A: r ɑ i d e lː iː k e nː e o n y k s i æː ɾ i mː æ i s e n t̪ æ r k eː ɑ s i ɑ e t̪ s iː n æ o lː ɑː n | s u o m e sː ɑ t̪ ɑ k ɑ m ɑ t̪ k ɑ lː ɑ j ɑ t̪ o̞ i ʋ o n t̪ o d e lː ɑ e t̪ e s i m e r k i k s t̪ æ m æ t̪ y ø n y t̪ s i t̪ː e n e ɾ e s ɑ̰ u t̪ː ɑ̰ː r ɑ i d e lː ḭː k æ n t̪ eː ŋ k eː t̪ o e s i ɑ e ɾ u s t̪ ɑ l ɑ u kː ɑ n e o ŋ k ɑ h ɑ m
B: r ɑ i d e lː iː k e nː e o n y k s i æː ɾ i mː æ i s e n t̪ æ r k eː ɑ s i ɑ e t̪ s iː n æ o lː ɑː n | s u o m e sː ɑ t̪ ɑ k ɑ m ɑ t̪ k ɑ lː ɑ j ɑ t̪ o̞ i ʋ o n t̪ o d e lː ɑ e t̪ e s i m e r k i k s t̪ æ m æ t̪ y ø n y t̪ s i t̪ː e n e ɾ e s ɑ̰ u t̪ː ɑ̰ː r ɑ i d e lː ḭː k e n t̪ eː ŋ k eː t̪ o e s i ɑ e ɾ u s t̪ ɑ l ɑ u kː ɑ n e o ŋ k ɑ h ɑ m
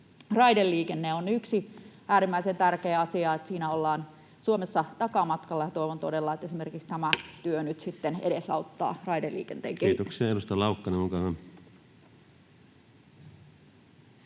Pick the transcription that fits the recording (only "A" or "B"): B